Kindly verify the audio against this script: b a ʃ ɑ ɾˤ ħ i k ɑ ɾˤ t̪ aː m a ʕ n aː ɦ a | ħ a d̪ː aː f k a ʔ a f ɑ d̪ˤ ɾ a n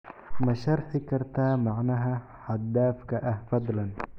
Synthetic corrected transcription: m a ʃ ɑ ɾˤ ħ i k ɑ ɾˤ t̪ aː m a ʕ n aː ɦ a | ħ a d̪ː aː f k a ʔ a f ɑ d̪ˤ l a n